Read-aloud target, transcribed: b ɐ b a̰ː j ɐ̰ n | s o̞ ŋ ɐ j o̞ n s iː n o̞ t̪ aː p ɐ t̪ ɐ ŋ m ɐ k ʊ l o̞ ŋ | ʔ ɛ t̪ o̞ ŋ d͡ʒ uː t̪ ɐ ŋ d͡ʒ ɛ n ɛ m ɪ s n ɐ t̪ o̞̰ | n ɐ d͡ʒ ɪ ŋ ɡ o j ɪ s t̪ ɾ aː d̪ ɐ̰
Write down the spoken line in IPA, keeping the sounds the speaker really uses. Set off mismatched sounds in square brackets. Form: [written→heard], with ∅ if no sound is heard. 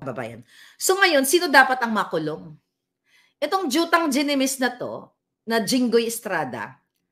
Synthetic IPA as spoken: b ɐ b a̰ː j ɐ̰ n | s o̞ ŋ ɐ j o̞ n s iː n o̞ [t̪→d̪] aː p ɐ t̪ ɐ ŋ m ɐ k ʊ l o̞ ŋ | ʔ ɛ t̪ o̞ ŋ d͡ʒ uː t̪ ɐ ŋ d͡ʒ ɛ n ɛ m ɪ s n ɐ t̪ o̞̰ | n ɐ d͡ʒ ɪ ŋ ɡ o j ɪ s t̪ ɾ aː d̪ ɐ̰

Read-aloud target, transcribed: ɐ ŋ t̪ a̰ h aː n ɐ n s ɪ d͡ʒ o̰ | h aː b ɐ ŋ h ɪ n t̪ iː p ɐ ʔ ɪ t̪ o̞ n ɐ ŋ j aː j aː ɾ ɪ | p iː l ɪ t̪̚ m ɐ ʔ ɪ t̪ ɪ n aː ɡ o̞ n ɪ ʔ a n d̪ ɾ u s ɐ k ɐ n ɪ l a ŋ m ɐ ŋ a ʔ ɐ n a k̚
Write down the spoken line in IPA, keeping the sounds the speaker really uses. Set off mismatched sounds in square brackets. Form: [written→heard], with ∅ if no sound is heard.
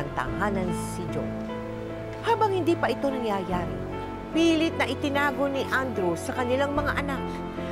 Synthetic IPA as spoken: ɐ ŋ t̪ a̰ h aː n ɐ n s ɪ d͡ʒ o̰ | h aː b ɐ ŋ h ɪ n [t̪→d̪] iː p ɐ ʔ ɪ t̪ o̞ n ɐ ŋ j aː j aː ɾ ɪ | p iː l ɪ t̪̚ [m→n] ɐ ʔ ɪ t̪ ɪ n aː ɡ o̞ n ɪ ʔ a n d̪ ɾ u s ɐ k ɐ n ɪ l a ŋ m ɐ ŋ a ʔ ɐ n a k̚

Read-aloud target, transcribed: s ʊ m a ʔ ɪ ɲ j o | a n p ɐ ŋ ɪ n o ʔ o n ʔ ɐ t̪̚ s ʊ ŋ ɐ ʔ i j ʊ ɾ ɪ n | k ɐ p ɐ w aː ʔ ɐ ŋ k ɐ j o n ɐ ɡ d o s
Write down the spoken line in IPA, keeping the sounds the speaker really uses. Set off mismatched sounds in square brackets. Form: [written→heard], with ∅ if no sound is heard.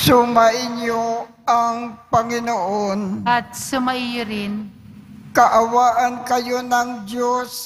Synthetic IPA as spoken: s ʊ m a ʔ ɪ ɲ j o | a [n→ŋ] p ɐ ŋ ɪ n o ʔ o n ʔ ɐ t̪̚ s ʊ [ŋ→m] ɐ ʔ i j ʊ ɾ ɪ n | k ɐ [p→ʔ] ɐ w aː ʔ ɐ [ŋ→n] k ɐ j o n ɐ [ɡ→ŋ] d o s

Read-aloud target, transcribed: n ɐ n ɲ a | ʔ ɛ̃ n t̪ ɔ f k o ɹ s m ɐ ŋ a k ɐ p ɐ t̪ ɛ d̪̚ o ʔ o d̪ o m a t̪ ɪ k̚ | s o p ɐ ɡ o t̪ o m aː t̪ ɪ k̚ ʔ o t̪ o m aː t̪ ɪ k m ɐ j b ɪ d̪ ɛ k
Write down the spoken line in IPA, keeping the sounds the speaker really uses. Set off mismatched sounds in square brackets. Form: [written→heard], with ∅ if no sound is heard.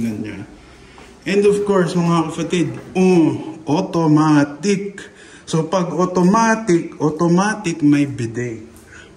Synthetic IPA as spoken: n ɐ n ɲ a | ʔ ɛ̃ n [t̪→d̪] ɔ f k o ɹ s m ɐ ŋ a k ɐ p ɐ t̪ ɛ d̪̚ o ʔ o [d̪→t̪] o m a t̪ ɪ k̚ | s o p ɐ ɡ o t̪ o m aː t̪ ɪ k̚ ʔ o t̪ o m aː t̪ ɪ k m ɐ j b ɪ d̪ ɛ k

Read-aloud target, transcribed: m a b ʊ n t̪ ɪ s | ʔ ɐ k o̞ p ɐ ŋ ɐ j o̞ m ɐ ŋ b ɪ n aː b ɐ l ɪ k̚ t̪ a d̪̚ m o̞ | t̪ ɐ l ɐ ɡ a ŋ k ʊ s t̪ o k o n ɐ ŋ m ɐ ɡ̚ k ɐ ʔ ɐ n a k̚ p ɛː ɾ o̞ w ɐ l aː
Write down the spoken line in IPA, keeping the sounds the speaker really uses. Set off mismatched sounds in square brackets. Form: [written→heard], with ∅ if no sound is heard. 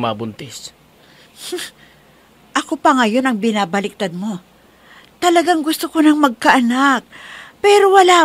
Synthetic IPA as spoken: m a b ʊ n t̪ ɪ s | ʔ ɐ k o̞ p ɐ ŋ ɐ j o̞ [m→n] ɐ ŋ b ɪ n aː b ɐ l ɪ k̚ t̪ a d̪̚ m o̞ | t̪ ɐ l ɐ ɡ a ŋ [k→ɡ] ʊ s t̪ o k o n ɐ ŋ m ɐ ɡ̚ k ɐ ʔ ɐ n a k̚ p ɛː ɾ o̞ w ɐ l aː

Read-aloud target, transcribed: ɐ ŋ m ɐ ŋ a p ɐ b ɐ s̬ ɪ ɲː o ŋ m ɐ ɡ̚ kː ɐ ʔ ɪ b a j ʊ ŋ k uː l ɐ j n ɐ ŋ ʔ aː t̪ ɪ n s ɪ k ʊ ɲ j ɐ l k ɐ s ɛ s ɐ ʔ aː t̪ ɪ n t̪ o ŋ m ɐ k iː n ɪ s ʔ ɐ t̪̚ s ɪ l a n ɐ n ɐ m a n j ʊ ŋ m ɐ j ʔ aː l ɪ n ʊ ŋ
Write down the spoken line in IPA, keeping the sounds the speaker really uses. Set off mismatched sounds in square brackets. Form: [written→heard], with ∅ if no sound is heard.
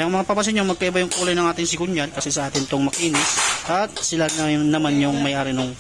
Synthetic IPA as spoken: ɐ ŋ m ɐ ŋ a p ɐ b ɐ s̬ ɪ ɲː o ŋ m ɐ ɡ̚ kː ɐ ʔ ɪ b a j ʊ ŋ k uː l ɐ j n ɐ ŋ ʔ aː t̪ ɪ [n→ŋ] s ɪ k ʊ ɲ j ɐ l k ɐ s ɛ s ɐ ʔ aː t̪ ɪ n t̪ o ŋ m ɐ k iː n ɪ s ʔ ɐ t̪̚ s ɪ l a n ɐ n ɐ m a n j ʊ ŋ m ɐ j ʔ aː [l→ɾ] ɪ n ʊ ŋ

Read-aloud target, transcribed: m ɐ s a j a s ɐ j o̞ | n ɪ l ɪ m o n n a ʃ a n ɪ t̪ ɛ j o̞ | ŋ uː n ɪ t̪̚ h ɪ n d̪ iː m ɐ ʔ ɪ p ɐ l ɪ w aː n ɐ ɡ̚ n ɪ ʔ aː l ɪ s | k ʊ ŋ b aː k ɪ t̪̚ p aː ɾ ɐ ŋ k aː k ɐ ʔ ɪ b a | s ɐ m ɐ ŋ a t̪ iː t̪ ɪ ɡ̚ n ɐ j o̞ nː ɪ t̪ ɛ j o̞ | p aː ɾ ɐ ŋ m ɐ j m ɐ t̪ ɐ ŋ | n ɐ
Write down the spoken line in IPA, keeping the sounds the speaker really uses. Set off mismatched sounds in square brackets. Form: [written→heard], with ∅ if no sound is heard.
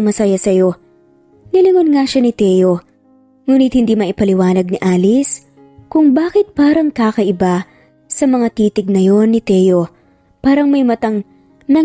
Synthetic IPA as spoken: m ɐ s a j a s ɐ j o̞ | n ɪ l ɪ [m→ŋ] o n [n→ŋ] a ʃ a n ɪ t̪ ɛ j o̞ | ŋ uː n ɪ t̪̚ h ɪ n d̪ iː m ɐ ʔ ɪ p ɐ l ɪ w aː n ɐ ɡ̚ n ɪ ʔ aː l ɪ s | k ʊ ŋ b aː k ɪ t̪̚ p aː ɾ ɐ ŋ k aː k ɐ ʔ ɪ b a | s ɐ m ɐ ŋ a t̪ iː t̪ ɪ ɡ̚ n ɐ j o̞ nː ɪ t̪ ɛ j o̞ | p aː ɾ ɐ ŋ m ɐ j m ɐ t̪ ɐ ŋ | n ɐ

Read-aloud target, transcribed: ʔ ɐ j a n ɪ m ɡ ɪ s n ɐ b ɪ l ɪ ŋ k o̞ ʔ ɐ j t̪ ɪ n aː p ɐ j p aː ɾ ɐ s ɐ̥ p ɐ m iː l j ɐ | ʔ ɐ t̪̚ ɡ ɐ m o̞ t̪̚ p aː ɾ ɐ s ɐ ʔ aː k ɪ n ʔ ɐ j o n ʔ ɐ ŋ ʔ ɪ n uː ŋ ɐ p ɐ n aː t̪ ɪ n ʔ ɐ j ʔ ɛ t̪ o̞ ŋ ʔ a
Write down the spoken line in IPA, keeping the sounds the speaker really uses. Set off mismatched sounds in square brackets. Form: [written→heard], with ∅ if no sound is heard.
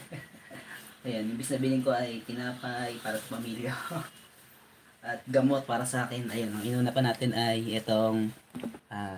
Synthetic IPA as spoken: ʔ ɐ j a n ɪ m [ɡ→b] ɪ s n ɐ b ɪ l ɪ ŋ k o̞ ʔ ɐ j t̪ ɪ n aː p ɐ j p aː ɾ ɐ s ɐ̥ p ɐ m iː l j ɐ | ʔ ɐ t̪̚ ɡ ɐ m o̞ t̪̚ p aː ɾ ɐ s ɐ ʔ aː k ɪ n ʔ ɐ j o n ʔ ɐ ŋ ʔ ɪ n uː [ŋ→n] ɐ p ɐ n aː t̪ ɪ n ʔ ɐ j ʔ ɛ t̪ o̞ ŋ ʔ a

